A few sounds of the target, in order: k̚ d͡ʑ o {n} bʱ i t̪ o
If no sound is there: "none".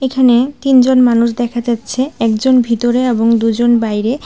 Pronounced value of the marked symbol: n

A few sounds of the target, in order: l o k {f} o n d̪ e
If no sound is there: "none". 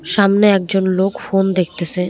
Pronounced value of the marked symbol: f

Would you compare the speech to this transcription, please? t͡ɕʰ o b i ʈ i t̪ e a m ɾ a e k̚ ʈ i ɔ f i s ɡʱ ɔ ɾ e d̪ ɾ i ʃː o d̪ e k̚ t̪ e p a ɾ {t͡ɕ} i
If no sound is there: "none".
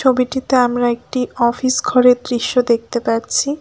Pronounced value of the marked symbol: t͡ɕʰ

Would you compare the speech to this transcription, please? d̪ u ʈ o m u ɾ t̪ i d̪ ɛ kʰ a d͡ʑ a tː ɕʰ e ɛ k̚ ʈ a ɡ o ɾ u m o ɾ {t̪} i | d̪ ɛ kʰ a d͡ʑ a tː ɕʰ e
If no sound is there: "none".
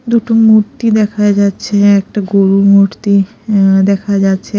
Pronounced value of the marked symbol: t̪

